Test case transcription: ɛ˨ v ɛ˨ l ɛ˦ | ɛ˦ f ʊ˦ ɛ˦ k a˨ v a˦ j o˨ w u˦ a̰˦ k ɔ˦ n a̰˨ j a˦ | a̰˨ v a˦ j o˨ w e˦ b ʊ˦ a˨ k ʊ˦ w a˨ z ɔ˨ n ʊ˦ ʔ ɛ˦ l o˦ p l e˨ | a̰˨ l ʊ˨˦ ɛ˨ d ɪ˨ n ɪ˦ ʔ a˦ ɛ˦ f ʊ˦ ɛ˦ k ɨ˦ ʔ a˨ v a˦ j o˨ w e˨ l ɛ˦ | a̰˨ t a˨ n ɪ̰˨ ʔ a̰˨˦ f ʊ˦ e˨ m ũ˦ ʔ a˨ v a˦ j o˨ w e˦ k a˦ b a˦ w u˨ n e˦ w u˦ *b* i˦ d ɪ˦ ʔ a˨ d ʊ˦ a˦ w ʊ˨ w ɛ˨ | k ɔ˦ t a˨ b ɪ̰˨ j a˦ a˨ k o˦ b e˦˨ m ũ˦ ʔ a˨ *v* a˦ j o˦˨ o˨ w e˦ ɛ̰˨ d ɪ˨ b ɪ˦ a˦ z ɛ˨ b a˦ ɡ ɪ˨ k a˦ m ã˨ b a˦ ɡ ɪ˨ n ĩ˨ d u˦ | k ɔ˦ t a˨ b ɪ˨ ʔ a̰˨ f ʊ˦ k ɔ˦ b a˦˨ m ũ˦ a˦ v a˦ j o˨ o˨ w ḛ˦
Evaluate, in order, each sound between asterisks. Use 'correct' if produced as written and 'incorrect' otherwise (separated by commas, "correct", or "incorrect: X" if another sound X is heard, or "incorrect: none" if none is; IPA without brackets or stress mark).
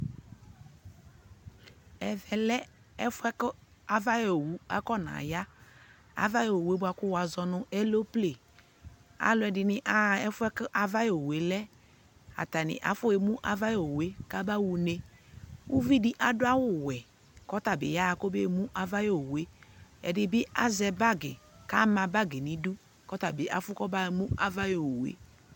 incorrect: v, correct